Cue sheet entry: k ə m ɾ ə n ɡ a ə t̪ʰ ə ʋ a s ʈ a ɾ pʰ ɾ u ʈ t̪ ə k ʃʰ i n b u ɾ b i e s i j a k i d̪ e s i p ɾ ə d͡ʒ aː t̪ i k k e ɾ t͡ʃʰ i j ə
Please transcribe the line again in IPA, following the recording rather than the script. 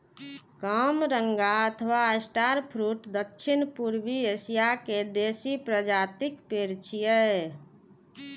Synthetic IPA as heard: k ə m ɾ ə ŋ ɡ a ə t̪ʰ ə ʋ a s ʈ a ɾ pʰ ɾ u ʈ d̪ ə k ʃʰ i n p u ɾ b i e s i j a k e d̪ e s i p ɾ ə d͡ʒ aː t̪ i k p e ɾ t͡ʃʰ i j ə